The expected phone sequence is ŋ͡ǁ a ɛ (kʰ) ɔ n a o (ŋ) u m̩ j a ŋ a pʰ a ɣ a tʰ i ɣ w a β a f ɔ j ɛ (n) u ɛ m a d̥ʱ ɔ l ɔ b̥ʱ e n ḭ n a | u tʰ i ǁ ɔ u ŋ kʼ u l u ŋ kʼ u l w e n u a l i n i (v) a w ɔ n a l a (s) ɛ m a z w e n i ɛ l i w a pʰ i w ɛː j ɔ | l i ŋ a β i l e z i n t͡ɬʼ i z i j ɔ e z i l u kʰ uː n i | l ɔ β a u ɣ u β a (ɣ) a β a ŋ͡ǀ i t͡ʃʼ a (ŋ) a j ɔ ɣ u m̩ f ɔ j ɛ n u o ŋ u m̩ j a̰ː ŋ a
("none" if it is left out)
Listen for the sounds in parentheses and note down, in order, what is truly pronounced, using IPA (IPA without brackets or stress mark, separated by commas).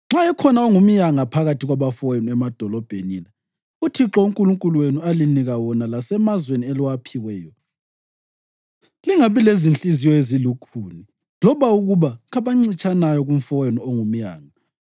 kʰ, ŋ, n, ɣ, s, ɣ, n